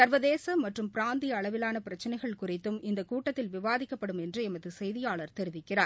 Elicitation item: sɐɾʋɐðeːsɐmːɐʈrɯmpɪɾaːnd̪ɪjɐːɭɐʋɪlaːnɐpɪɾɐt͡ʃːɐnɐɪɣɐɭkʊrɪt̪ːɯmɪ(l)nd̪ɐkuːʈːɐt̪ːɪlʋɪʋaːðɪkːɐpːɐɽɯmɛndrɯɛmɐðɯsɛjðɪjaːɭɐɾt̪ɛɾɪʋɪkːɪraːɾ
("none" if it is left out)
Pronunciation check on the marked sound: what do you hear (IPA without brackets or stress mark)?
none